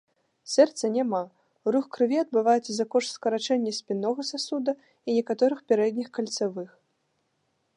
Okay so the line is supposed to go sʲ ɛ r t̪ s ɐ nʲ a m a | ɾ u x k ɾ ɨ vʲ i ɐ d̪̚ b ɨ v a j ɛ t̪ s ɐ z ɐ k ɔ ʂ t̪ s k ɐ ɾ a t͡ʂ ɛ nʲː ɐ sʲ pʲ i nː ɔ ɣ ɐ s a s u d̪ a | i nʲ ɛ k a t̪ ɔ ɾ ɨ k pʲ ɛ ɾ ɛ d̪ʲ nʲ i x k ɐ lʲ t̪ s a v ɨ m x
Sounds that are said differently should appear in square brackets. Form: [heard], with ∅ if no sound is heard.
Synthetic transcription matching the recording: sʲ ɛ r t̪ s ɐ nʲ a m a | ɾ u x k ɾ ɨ vʲ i ɐ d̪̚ b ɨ v a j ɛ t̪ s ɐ z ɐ k ɔ ʂ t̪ s k ɐ ɾ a t͡ʂ ɛ nʲː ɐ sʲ pʲ i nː ɔ ɣ ɐ s a s u d̪ [ɐ] | i nʲ ɛ k a t̪ ɔ ɾ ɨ [x] pʲ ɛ ɾ ɛ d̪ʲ nʲ i x k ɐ lʲ t̪ s a v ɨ [∅] x